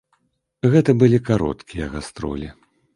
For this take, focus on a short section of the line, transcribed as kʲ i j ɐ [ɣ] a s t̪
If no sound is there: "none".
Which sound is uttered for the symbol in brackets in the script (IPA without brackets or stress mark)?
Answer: ɣ